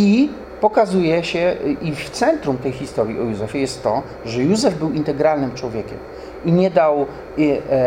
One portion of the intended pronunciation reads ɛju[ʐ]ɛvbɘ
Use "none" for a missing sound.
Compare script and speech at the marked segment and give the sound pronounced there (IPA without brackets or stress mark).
z